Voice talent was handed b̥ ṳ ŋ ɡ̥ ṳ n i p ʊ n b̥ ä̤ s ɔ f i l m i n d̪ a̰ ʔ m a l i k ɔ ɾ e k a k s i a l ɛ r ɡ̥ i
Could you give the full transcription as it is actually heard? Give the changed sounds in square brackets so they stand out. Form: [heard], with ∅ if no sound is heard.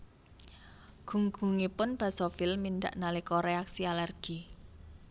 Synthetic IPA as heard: [ɡ̥] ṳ ŋ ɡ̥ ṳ [ŋ] i p ʊ n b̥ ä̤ s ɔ f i l m i n d̪ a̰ ʔ [n] a l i k ɔ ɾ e [∅] a k s i a l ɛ r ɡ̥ i

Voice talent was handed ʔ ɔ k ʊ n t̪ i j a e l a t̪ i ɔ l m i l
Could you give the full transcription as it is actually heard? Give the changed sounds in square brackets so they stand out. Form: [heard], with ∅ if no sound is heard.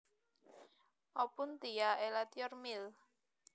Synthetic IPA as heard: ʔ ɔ [p] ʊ n t̪ i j a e l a t̪ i ɔ [r] m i l

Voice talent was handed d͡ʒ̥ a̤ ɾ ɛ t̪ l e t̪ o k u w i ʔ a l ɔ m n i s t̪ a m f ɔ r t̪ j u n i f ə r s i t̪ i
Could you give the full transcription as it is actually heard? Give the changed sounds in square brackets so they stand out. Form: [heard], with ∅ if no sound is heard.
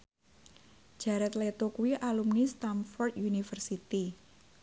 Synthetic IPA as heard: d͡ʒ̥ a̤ ɾ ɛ t̪ l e t̪ o k u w i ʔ a l [u] m n i s t̪ a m f ɔ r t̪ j u n i f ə r s i t̪ i

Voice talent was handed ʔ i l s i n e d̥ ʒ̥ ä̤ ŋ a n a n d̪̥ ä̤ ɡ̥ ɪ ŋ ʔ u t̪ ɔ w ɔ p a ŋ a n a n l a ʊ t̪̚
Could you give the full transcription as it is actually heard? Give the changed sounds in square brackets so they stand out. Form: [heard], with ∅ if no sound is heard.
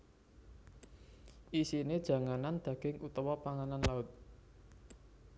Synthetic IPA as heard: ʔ i [∅] s i n e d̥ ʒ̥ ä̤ ŋ a n a n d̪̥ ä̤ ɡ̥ ɪ ŋ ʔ u t̪ ɔ w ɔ p a ŋ a n a n l a ʊ t̪̚

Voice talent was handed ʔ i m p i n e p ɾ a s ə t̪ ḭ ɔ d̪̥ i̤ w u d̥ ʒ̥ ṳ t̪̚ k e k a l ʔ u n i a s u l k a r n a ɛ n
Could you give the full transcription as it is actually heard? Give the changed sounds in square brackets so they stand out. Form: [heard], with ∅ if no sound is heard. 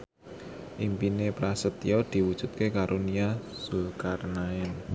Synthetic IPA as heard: ʔ i m p i n e p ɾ a s ə t̪ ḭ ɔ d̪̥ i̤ w u d̥ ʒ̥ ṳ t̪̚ k e k a [ɾ] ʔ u n i a s u l k a r n a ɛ n

